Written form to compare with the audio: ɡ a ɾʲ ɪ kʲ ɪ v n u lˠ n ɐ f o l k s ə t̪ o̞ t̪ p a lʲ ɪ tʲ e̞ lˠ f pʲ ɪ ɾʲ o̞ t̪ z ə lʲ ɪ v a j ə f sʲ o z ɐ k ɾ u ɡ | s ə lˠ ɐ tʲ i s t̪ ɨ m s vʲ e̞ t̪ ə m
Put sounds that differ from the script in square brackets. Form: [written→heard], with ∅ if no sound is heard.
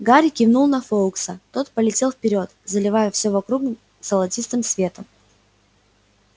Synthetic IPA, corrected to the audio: ɡ a ɾʲ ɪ kʲ ɪ v n u lˠ n ɐ f o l k s ə t̪ o̞ t̪ p [a→ə] lʲ ɪ tʲ e̞ lˠ f pʲ ɪ ɾʲ o̞ t̪ z ə lʲ ɪ v a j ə f sʲ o [z→v] ɐ k ɾ u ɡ | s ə lˠ ɐ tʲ i s t̪ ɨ m s vʲ e̞ t̪ ə m